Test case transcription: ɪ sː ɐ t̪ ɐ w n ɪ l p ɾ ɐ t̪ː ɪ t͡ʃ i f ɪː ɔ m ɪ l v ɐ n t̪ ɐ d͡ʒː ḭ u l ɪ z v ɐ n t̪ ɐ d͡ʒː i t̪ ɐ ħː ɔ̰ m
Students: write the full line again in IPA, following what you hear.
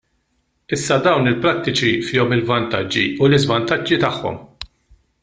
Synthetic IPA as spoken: ɪ sː ɐ d̪ ɐ w n ɪ l p ɾ ɐ t̪ː ɪ t͡ʃ i f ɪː ɔ m ɪ l v ɐ n t̪ ɐ d͡ʒː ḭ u l ɪ z v ɐ n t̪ ɐ d͡ʒː i t̪ ɐ ħː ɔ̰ m